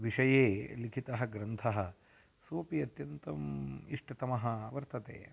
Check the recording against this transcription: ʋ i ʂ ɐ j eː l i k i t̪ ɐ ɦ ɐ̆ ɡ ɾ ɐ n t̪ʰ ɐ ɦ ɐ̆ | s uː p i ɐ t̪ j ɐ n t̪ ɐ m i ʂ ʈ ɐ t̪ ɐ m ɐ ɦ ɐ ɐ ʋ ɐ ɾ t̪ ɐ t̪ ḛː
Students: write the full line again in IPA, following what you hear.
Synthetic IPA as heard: ʋ i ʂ ɐ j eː l i kʰ i t̪ ɐ ɦ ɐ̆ ɡ ɾ ɐ n t̪ʰ ɐ ɦ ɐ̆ | s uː p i ɐ t̪ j ɐ n t̪ ɐ m i ʂ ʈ ɐ t̪ ɐ m ɐ ɦ ɐ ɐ ʋ ɐ ɾ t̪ ɐ t̪ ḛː